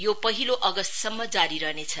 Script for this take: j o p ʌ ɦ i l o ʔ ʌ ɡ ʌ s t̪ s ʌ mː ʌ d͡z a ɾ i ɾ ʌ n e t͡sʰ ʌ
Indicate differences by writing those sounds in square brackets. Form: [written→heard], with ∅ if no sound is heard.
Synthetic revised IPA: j o p ʌ ɦ i l o ʔ ʌ ɡ ʌ s t̪ s ʌ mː ʌ d͡z a ɾ i ɾ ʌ n e t͡sʰ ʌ